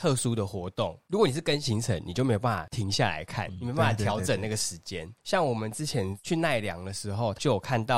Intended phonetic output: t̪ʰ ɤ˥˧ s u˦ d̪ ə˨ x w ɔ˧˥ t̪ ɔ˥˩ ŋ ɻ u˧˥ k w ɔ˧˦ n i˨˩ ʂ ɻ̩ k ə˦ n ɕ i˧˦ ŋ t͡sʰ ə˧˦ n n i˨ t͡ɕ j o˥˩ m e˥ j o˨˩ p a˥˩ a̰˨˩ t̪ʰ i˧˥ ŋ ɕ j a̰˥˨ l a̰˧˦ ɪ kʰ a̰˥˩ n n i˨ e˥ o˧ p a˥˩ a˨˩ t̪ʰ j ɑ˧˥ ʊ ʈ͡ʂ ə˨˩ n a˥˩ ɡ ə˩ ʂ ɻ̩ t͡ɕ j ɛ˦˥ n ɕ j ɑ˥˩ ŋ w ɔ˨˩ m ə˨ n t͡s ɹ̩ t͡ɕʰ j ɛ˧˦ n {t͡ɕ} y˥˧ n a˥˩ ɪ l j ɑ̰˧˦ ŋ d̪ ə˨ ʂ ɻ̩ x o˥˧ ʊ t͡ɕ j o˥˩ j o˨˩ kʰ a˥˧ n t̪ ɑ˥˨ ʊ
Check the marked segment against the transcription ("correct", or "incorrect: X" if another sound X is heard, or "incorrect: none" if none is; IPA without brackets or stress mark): incorrect: t͡ɕʰ